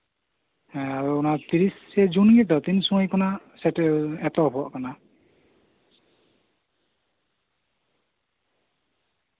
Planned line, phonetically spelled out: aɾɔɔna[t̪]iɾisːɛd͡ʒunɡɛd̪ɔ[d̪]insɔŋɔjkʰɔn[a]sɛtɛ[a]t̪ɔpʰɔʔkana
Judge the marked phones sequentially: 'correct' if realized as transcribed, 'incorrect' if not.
correct, incorrect: t̪, correct, incorrect: ɛ

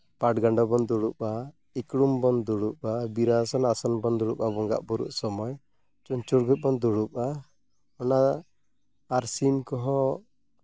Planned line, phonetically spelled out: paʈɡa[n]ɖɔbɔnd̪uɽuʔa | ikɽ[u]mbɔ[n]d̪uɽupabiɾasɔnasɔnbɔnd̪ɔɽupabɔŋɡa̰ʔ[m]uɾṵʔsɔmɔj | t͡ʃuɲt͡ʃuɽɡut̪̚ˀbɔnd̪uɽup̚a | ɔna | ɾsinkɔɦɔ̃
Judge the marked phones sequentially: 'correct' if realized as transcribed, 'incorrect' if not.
incorrect: ɳ, correct, correct, incorrect: b

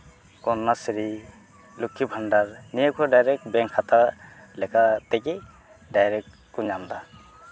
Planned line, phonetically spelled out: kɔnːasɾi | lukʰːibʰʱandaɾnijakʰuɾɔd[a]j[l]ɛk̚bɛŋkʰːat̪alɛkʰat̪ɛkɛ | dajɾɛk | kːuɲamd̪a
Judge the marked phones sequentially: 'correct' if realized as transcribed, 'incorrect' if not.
correct, incorrect: ɾ

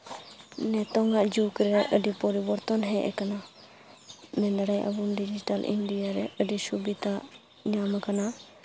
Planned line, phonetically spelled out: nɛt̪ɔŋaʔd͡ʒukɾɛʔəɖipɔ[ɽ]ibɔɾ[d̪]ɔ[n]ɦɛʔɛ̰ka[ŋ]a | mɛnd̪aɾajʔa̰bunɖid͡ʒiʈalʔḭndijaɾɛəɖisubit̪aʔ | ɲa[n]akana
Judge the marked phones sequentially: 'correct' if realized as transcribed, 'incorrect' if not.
incorrect: ɾ, incorrect: t̪, correct, incorrect: n, incorrect: m

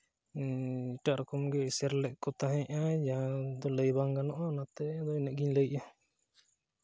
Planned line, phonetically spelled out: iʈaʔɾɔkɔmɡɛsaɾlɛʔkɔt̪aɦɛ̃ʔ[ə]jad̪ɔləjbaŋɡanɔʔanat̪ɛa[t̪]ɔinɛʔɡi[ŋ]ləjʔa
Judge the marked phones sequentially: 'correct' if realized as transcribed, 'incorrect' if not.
incorrect: a, incorrect: d̪, incorrect: ɲ

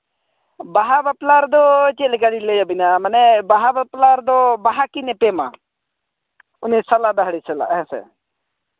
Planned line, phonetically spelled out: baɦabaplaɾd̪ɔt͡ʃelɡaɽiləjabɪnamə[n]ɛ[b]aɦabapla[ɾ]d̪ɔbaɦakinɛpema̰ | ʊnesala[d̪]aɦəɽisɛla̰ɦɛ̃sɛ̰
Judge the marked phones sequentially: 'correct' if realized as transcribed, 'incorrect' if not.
correct, correct, correct, correct

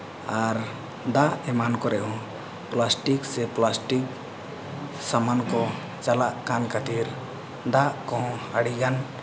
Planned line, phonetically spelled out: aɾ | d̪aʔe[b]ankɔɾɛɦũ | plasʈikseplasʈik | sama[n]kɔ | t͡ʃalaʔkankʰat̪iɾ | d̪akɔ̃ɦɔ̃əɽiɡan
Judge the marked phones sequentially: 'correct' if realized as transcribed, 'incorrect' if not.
incorrect: m, correct

